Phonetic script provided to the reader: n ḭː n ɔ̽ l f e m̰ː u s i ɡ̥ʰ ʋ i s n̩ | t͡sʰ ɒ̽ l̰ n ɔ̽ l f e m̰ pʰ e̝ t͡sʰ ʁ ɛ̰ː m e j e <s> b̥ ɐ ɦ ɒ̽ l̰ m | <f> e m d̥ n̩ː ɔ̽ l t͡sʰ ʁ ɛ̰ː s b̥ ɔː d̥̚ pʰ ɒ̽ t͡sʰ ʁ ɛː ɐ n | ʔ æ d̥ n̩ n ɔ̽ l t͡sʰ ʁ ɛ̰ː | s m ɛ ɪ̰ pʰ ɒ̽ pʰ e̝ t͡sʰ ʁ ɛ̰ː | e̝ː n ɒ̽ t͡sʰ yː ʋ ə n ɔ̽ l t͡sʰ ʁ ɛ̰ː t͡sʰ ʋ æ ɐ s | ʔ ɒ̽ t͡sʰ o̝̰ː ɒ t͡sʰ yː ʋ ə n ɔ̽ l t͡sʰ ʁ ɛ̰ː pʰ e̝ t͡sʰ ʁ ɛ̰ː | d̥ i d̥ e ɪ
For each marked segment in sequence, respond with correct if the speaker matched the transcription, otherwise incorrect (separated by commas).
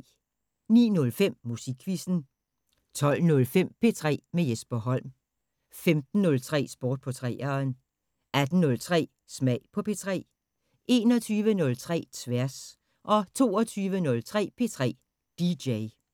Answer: correct, correct